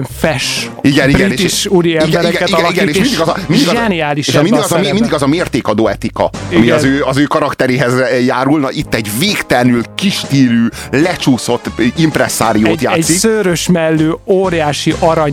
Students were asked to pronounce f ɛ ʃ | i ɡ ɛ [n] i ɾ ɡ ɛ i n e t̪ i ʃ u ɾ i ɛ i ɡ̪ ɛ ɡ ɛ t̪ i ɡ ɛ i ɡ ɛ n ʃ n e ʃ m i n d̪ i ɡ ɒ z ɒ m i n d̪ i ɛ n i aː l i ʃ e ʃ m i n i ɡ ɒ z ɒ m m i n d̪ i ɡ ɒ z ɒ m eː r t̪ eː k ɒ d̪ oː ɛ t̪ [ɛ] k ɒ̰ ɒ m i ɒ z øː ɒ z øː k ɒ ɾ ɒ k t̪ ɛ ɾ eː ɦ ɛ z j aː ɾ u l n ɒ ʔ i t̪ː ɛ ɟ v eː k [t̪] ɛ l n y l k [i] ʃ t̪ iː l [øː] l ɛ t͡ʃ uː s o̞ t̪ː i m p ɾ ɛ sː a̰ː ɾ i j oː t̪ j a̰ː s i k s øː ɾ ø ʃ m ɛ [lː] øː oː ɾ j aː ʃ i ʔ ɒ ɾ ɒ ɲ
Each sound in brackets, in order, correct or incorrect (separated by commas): correct, incorrect, correct, correct, incorrect, correct